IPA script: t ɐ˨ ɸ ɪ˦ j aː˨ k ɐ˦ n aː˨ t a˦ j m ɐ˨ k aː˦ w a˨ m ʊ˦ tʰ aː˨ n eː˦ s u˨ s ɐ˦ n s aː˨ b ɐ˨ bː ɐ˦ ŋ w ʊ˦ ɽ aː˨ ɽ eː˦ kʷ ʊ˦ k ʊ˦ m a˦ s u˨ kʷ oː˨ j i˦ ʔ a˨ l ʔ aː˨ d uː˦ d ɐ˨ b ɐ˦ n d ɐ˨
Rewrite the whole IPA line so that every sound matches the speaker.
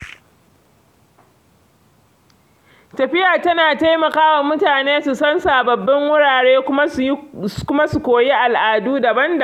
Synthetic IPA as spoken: t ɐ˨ ɸ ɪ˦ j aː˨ t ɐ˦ n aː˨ t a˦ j m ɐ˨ k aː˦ w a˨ m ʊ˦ t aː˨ n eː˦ s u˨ s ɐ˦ n s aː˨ b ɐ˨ bː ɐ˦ ŋ w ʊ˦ ɽ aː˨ ɽ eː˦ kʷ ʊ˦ k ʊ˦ m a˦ s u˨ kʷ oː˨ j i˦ ʔ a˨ l ʔ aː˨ d uː˦ d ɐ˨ b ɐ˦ n d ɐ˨